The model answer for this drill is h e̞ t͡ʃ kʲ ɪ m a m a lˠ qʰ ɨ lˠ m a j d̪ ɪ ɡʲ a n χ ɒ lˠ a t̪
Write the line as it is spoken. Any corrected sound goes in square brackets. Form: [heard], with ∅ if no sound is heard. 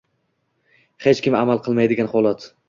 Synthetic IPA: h e̞ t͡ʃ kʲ ɪ m a m a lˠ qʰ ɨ lˠ m a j d̪ ɪ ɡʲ a n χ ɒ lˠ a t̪